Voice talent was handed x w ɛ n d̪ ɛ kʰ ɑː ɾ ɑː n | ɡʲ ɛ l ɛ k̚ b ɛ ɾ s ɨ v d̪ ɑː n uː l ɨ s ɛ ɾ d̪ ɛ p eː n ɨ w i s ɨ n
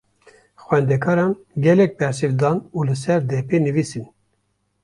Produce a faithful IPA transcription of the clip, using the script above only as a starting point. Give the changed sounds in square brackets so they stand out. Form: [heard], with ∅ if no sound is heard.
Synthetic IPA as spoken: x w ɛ n d̪ ɛ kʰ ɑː ɾ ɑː n | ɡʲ ɛ l ɛ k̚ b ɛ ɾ s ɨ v d̪ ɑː n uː l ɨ s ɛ ɾ d̪ ɛ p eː n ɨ [v] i s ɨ n